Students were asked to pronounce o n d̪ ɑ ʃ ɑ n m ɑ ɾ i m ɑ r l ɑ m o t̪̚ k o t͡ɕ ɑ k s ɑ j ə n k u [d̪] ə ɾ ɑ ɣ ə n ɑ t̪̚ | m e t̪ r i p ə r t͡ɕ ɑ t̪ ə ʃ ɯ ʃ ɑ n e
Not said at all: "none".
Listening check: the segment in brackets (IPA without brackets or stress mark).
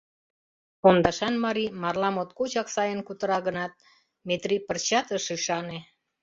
t̪